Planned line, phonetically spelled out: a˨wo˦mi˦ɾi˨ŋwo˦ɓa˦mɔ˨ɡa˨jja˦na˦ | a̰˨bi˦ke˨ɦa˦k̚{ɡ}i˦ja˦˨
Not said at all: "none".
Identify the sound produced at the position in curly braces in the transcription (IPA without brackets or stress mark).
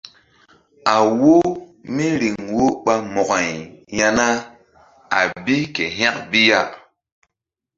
b